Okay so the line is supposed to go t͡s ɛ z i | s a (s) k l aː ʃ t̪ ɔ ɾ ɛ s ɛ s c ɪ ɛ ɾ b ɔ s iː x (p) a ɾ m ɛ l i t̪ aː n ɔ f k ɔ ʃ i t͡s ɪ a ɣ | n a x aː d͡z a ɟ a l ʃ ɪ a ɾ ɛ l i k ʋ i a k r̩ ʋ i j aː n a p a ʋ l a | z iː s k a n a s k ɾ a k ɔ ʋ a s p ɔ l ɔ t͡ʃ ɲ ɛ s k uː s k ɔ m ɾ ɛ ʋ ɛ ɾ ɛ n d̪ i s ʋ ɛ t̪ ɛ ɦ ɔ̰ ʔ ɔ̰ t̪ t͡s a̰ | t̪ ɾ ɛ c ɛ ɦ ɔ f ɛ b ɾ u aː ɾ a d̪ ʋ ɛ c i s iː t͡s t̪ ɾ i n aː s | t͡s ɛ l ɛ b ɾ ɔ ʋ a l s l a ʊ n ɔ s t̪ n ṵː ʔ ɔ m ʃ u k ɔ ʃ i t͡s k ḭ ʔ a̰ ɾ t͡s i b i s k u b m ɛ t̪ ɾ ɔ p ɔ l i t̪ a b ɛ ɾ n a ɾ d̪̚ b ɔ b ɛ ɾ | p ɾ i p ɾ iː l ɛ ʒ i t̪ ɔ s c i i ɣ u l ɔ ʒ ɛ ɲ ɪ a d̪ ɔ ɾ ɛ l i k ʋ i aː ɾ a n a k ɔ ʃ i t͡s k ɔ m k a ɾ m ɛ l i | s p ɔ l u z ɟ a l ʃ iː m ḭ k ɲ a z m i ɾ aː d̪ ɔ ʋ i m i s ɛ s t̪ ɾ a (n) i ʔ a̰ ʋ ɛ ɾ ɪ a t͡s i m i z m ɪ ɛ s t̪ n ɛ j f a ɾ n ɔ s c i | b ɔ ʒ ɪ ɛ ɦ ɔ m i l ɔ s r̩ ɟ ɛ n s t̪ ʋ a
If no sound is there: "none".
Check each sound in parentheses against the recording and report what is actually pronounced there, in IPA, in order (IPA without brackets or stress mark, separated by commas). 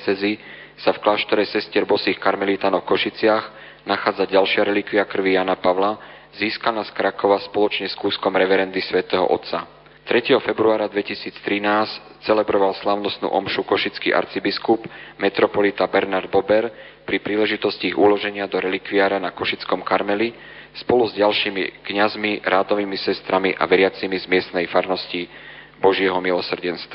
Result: f, k, m